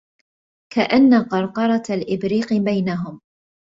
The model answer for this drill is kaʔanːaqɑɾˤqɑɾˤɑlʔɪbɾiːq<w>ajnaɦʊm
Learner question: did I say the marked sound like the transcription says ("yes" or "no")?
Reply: no